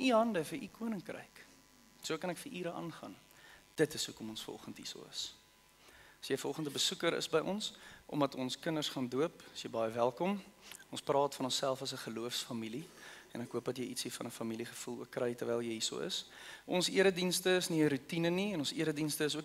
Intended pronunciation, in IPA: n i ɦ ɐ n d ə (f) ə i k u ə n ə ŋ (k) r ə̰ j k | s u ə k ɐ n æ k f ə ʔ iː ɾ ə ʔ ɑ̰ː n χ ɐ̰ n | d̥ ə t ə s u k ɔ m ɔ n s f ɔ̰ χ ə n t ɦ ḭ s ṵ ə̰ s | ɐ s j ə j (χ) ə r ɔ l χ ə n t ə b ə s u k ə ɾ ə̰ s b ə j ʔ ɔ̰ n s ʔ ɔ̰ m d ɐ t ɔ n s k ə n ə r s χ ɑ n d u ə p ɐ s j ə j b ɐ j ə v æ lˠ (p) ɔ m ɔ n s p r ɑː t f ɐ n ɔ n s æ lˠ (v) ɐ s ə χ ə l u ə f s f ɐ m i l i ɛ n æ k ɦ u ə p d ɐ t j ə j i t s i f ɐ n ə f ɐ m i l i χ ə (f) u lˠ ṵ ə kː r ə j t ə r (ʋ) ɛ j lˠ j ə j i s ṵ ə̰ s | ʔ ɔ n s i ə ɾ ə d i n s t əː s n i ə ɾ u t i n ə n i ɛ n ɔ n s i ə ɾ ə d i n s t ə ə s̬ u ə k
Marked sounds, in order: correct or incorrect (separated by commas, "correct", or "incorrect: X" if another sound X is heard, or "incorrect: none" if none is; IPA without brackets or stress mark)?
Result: correct, correct, incorrect: f, incorrect: k, incorrect: f, correct, incorrect: v